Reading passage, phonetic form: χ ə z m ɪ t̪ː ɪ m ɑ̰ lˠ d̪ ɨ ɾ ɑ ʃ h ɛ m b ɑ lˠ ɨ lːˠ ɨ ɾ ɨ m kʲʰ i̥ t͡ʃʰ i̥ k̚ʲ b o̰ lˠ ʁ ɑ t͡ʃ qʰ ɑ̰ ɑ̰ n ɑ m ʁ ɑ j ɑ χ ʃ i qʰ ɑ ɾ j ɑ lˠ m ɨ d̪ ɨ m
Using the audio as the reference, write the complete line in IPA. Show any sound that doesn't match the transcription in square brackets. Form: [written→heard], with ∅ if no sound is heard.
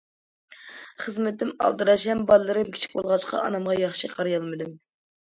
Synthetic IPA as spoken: χ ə z m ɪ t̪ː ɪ m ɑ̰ lˠ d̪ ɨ ɾ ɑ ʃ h ɛ m b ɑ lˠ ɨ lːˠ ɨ ɾ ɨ m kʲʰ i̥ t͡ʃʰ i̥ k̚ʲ b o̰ lˠ ʁ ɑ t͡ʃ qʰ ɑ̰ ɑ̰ n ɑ m ʁ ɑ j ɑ χ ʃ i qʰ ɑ ɾ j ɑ lˠ m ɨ d̪ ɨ m